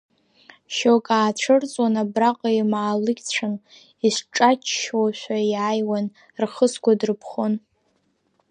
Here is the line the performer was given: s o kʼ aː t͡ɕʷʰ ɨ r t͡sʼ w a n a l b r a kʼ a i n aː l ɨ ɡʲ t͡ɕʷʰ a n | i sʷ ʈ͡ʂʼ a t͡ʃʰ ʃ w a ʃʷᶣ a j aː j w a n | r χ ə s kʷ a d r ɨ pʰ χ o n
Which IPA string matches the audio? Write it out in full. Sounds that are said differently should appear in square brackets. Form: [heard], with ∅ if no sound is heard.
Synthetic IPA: [ʃ] o kʼ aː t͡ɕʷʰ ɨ r t͡sʼ w a n a [∅] b r a [qʼ] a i [m] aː l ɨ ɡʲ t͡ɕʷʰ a n | i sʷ ʈ͡ʂʼ a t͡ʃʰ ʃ w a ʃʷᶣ a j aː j w a n | r χ ə s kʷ a d r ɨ pʰ χ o n